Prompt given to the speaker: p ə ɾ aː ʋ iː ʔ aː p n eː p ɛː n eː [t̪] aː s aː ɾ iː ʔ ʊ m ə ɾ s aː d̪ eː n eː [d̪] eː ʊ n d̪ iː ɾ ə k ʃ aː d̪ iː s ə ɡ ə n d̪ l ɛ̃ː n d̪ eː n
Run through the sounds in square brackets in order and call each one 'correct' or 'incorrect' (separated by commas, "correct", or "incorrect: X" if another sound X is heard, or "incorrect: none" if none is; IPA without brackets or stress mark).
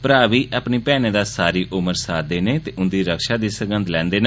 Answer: incorrect: d̪, incorrect: t̪